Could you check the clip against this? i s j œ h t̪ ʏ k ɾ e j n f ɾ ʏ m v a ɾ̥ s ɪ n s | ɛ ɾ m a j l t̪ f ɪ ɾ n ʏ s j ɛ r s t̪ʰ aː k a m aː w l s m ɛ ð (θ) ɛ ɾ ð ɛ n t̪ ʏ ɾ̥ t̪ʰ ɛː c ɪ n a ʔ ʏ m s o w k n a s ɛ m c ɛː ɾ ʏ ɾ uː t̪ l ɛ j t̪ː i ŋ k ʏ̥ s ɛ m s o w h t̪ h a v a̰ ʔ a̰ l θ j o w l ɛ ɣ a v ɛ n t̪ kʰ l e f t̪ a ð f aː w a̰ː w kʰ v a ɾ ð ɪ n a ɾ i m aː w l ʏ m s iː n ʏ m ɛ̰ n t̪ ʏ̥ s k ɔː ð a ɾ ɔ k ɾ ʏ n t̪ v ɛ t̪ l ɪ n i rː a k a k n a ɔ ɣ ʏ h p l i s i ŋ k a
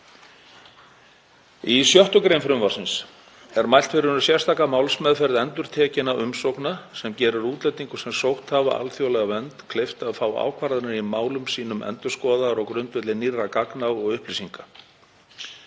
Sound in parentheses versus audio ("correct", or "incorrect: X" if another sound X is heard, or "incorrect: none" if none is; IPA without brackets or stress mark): incorrect: f